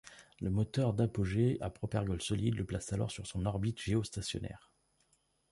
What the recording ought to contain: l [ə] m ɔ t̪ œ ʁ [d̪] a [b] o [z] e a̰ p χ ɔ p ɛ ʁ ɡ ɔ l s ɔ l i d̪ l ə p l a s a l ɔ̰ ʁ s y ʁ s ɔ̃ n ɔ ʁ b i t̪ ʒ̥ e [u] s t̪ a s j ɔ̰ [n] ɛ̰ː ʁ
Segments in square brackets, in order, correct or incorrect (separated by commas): correct, correct, incorrect, incorrect, incorrect, correct